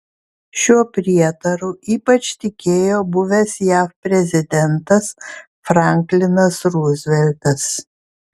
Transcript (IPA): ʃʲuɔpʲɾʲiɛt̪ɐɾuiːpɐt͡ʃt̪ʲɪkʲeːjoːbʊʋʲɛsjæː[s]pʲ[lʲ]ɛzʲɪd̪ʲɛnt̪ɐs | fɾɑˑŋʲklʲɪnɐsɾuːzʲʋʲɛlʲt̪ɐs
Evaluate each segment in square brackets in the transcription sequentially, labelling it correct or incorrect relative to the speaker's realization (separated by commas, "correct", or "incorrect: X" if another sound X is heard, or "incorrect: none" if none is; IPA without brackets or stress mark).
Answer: incorrect: f, incorrect: ɾʲ